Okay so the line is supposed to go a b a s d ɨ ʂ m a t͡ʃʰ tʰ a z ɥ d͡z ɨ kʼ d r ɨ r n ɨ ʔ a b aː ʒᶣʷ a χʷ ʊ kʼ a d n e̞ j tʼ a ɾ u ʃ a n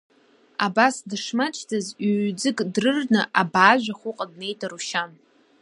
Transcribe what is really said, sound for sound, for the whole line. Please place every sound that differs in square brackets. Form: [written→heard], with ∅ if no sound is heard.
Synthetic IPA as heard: a b a s d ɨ ʂ m a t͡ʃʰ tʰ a z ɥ d͡z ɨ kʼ d r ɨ r n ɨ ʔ a b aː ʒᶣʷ a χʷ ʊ [kʼ→qʼ] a d n e̞ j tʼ a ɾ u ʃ a n